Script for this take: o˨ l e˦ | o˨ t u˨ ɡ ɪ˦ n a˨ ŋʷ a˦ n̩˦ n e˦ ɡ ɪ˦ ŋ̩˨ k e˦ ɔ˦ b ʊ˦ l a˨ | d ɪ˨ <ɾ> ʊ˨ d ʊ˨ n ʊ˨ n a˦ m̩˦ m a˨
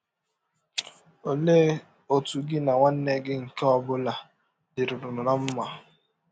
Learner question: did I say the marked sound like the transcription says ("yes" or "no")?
yes